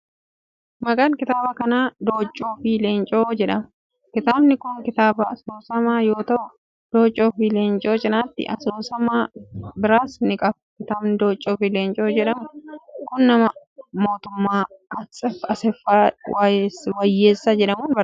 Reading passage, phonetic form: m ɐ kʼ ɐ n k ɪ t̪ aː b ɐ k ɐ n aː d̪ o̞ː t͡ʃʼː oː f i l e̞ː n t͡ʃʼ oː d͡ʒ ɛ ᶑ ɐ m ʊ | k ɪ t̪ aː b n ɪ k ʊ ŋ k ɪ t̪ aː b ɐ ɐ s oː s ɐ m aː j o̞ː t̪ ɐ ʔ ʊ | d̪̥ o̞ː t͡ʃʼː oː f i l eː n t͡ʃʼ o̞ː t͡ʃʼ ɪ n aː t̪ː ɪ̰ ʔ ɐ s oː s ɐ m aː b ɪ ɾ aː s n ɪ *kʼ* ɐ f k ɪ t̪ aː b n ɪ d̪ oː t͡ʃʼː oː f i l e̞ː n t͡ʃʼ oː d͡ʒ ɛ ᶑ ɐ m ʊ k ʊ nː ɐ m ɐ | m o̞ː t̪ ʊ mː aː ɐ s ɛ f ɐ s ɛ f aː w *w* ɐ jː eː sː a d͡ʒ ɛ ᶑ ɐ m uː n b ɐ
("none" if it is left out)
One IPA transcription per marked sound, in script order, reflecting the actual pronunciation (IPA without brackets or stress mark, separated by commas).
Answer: kʼ, w